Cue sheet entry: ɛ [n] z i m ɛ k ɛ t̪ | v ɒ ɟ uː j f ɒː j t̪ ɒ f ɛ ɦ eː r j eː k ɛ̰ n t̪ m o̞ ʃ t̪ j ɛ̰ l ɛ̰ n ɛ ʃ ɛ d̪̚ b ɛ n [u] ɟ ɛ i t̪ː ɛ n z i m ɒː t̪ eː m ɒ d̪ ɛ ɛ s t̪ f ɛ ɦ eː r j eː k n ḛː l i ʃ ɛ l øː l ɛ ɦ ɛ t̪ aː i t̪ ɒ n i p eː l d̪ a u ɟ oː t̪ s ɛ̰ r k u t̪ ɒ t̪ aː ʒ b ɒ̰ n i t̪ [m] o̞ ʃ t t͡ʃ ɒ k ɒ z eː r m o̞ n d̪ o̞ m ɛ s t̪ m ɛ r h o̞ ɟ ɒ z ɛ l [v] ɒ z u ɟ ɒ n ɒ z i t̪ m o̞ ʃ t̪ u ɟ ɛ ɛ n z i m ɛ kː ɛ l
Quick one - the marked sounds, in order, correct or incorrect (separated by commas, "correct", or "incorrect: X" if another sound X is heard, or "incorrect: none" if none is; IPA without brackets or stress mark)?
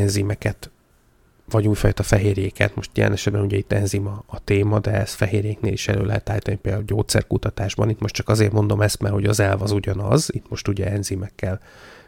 correct, correct, correct, correct